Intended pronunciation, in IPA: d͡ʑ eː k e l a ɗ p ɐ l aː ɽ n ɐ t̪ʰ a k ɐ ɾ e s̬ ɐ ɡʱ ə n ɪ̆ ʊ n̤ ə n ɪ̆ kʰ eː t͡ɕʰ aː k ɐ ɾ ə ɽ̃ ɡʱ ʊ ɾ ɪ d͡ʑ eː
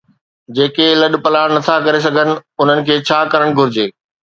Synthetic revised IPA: d͡ʑ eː k e l ɐ ɗ p ɐ l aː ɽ n ɐ t̪ʰ a k ɐ ɾ e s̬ ɐ ɡʱ ə n ɪ̆ ʊ n̤ ə n ɪ̆ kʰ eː t͡ɕʰ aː k ɐ ɾ ə ɽ̃ ɡʱ ʊ ɾ ɪ d͡ʑ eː